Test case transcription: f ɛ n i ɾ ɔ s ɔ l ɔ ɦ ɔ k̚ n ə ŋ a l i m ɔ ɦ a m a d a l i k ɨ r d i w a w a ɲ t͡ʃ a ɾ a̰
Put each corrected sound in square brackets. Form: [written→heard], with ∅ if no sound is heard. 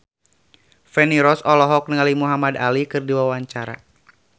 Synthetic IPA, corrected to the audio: f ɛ n i ɾ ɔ s ɔ l ɔ ɦ ɔ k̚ n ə ŋ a l i m [ɔ→u] ɦ a m a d a l i k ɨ r d i w a w a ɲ t͡ʃ a ɾ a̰